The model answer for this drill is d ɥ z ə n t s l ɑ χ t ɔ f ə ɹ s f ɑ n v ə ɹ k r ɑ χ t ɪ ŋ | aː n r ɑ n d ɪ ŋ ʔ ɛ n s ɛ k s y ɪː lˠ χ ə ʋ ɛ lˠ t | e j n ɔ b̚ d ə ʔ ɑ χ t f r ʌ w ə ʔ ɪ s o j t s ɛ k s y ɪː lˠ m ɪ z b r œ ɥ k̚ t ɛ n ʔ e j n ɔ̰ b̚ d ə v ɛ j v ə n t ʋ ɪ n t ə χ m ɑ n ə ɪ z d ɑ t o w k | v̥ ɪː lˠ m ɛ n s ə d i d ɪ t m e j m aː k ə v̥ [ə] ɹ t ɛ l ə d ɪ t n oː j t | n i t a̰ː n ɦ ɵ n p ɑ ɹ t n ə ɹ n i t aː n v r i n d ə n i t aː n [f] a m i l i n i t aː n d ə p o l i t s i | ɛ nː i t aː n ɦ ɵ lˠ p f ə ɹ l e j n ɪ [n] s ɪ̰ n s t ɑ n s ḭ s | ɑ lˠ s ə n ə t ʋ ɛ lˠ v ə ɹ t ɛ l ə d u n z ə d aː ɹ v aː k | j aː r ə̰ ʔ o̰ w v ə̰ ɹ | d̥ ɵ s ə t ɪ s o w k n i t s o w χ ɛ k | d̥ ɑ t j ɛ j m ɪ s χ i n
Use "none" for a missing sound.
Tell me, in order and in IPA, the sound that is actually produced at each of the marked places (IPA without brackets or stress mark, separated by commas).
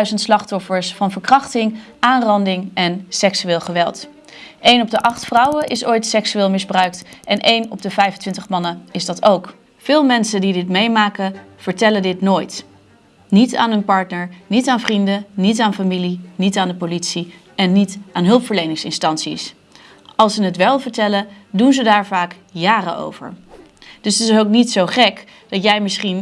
ə, f, ŋ